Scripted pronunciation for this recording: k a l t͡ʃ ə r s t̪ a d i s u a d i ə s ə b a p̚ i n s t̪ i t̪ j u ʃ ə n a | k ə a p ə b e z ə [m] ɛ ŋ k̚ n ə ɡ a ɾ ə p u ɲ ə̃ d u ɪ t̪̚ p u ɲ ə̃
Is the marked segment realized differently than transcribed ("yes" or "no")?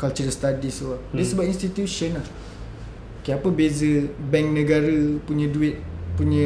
yes